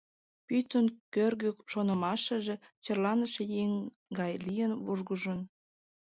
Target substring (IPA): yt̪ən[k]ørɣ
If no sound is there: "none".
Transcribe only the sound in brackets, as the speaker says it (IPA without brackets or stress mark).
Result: k